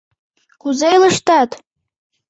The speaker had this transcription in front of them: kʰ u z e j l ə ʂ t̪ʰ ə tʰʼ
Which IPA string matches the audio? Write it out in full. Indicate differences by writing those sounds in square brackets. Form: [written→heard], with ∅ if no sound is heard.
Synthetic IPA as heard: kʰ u z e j l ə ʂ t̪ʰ [ə→a] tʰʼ